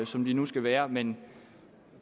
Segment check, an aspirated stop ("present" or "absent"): absent